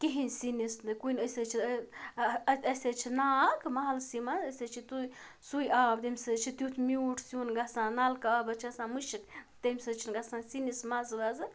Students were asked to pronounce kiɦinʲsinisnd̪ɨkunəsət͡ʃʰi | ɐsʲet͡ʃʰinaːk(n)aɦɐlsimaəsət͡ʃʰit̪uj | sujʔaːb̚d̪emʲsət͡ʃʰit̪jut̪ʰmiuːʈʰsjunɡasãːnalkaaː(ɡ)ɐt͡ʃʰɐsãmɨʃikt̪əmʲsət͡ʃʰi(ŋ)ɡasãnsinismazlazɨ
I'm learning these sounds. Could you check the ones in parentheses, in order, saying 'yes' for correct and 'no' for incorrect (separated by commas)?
no, no, no